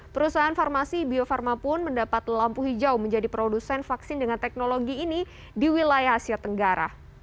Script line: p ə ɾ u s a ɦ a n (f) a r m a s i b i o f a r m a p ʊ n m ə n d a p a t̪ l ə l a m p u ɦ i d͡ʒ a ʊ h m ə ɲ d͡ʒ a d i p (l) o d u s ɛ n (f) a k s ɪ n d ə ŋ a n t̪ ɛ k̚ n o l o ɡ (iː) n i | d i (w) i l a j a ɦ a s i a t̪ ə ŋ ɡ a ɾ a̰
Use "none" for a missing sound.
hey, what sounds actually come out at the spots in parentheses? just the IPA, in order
f, ɾ, f, iː, w

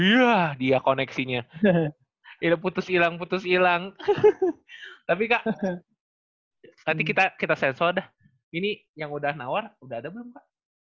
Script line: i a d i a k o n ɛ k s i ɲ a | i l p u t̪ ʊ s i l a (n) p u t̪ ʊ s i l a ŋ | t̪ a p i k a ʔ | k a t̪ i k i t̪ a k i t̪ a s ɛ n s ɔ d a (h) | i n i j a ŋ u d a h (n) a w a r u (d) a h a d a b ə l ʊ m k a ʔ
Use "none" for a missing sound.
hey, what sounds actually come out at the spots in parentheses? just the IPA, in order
ŋ, h, n, d

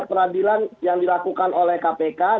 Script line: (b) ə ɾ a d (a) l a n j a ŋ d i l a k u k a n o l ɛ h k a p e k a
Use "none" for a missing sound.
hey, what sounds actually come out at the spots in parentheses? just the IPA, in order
p, i

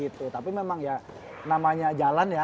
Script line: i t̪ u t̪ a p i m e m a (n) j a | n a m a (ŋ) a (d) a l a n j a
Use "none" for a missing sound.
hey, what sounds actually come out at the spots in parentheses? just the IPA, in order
ŋ, ɲ, d͡ʒ

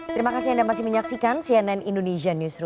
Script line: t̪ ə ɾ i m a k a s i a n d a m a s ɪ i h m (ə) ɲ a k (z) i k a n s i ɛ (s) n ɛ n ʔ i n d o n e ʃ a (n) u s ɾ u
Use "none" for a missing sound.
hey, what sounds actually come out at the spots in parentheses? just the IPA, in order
ə, s, none, n

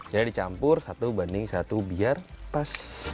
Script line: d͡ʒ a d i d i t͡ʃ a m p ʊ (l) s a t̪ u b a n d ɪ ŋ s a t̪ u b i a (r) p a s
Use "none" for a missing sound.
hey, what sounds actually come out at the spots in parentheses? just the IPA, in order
r, r

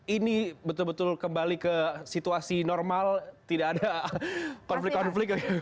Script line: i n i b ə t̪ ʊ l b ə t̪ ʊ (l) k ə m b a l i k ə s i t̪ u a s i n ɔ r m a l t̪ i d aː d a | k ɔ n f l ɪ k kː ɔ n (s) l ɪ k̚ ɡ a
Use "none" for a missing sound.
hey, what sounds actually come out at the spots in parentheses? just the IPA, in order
l, f

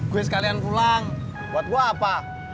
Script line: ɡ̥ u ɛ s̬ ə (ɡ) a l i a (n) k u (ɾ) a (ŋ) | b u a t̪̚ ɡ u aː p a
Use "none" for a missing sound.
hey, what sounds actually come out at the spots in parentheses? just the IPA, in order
k, n, l, ŋ

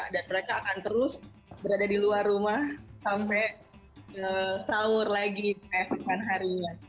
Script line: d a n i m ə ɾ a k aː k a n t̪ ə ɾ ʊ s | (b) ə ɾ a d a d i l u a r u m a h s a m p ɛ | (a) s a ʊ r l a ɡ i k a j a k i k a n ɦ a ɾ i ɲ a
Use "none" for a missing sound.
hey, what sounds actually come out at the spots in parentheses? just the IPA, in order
b, ə

